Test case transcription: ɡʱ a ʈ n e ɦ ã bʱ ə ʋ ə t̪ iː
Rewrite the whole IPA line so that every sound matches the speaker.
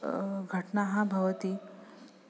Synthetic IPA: ɡʱ ə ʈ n a ɦ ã bʱ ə ʋ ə t̪ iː